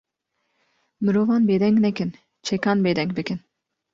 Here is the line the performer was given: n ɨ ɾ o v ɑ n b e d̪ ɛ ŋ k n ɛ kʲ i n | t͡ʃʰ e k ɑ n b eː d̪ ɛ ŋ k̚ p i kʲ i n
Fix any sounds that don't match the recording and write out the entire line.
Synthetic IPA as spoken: m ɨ ɾ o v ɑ n b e d̪ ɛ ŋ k n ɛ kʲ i n | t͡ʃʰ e k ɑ n b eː d̪ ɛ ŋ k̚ b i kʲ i n